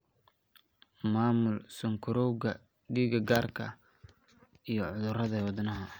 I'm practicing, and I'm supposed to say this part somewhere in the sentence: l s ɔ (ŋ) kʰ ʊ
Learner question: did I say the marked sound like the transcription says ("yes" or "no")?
yes